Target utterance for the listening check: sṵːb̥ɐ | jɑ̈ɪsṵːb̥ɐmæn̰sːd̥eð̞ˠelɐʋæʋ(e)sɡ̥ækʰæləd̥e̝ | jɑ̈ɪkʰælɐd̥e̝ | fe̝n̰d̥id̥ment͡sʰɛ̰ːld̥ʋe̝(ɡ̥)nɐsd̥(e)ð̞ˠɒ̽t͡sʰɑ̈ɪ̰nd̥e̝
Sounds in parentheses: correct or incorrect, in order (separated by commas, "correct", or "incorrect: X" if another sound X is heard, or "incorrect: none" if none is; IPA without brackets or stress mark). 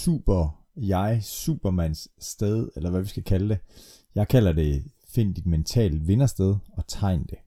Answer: incorrect: i, incorrect: none, correct